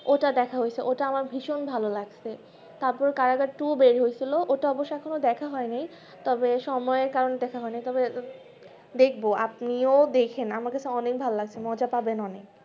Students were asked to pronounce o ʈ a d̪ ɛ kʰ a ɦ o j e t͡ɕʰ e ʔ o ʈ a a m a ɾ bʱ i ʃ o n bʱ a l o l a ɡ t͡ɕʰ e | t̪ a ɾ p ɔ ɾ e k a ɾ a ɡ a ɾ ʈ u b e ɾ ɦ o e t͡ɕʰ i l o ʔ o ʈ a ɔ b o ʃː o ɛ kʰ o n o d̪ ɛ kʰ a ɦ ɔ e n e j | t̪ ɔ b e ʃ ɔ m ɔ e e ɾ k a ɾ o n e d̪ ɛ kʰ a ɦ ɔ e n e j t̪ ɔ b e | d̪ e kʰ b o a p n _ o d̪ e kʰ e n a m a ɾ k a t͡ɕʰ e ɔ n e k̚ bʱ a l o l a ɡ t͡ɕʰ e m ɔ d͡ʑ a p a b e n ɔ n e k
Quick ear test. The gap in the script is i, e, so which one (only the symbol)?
i